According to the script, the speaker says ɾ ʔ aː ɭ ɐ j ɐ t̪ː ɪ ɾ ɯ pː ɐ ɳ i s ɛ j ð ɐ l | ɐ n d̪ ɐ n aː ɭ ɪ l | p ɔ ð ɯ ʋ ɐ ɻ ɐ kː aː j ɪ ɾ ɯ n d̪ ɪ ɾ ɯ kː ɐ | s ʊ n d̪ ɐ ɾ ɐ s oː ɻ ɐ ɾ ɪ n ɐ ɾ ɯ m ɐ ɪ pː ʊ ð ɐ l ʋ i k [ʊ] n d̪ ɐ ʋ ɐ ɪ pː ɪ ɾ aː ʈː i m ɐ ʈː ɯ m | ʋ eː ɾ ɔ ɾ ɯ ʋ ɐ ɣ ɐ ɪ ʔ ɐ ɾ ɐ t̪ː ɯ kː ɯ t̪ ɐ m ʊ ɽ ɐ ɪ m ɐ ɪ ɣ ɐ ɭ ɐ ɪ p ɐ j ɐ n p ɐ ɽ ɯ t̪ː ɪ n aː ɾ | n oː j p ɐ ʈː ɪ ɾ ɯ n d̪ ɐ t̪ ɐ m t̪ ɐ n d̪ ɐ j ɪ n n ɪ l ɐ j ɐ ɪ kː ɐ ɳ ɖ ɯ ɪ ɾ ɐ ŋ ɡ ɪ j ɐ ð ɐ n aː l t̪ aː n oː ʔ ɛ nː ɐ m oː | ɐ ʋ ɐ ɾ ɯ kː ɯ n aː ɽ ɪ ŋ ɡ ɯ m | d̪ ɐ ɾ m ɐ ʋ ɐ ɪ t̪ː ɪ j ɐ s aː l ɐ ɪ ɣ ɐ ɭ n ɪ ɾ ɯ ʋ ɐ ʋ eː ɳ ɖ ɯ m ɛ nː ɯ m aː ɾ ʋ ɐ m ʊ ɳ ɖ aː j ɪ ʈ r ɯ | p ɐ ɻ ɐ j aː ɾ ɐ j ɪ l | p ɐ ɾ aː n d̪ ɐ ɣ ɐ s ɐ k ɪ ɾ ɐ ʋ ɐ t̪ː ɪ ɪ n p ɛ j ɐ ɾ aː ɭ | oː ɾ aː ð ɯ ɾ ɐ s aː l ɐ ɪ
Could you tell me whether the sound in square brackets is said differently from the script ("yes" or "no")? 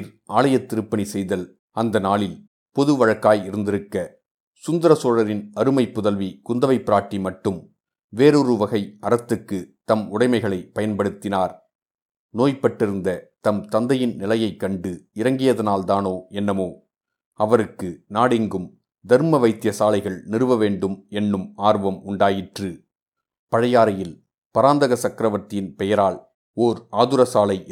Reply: no